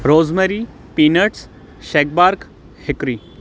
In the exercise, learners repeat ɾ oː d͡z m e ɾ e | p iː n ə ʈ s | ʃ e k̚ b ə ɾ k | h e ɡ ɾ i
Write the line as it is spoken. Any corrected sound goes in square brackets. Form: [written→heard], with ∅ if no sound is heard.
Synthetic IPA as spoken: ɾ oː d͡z m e ɾ [e→i] | p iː n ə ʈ s | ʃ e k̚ b [ə→a] ɾ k | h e [ɡ→k] ɾ i